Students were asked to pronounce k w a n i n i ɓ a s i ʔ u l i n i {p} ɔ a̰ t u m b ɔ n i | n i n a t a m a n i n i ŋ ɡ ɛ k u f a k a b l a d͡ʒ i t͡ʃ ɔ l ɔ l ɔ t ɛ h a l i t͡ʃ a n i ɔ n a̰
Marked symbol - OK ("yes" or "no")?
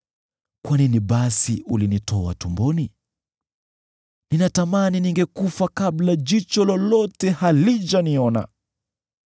no